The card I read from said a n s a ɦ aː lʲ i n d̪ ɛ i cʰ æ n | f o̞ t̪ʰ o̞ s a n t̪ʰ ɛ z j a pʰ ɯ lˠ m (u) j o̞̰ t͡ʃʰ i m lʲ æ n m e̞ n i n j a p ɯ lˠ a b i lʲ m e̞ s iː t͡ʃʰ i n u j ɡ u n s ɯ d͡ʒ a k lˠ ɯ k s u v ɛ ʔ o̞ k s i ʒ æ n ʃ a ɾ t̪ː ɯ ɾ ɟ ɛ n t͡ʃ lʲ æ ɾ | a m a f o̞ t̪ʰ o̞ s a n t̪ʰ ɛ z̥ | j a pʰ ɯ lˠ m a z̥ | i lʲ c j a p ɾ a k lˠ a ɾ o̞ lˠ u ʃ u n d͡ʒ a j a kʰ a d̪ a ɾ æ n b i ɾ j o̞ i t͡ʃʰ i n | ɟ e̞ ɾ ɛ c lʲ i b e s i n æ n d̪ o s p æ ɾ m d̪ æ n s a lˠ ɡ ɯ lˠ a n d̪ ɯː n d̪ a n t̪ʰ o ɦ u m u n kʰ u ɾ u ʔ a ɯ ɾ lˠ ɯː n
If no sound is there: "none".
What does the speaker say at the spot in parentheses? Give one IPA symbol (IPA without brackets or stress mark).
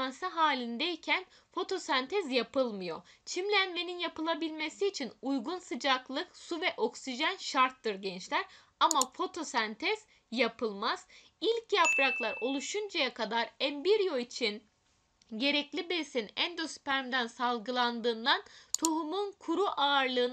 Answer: ɯ